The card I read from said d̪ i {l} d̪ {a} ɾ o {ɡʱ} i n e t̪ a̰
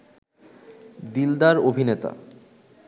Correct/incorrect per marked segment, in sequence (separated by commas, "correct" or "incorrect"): correct, correct, incorrect